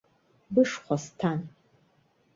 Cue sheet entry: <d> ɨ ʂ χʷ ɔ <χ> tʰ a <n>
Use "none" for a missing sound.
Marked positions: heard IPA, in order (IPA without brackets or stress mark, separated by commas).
b, s, n